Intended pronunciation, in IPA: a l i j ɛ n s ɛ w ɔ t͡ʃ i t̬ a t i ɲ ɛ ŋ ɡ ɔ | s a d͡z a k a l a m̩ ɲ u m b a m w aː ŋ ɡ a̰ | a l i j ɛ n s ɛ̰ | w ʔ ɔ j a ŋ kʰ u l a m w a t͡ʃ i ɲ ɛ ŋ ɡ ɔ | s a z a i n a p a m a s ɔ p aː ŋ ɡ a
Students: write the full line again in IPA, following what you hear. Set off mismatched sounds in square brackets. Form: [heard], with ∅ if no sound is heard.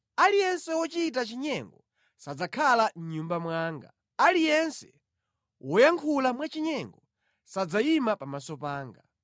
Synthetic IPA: a l i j ɛ n s ɛ w ɔ t͡ʃ i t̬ a [t͡ʃ] i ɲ ɛ ŋ ɡ ɔ | s a d͡z a [kʰ] a l a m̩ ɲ u m b a m w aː ŋ ɡ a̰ | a l i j ɛ n s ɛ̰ | w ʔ ɔ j a ŋ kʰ u l a m w a t͡ʃ i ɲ ɛ ŋ ɡ ɔ | s a [d͡z] a i [m] a p a m a s ɔ p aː ŋ ɡ a